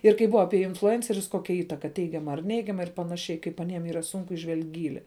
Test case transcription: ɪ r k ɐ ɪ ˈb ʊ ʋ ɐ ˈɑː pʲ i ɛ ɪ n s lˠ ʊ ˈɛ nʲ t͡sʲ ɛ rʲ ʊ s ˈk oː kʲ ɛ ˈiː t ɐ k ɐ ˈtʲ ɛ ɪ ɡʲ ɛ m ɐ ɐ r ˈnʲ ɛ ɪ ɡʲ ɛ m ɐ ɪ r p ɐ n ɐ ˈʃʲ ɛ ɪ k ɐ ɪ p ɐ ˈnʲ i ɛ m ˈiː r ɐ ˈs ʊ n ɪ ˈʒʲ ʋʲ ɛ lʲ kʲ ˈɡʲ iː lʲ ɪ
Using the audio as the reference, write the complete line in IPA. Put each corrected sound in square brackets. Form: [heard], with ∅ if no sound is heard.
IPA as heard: ɪ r k ɐ ɪ ˈb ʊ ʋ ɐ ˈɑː pʲ i ɛ ɪ n [f] lˠ ʊ ˈɛ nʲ t͡sʲ ɛ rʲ ʊ s ˈk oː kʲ ɛ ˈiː t ɐ k ɐ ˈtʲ ɛ ɪ ɡʲ ɛ m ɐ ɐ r ˈnʲ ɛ ɪ ɡʲ ɛ m ɐ ɪ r p ɐ n ɐ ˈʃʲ ɛ ɪ k ɐ ɪ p ɐ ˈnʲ i ɛ m ˈiː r ɐ ˈs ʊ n ɪ ˈʒʲ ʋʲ ɛ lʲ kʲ ˈɡʲ iː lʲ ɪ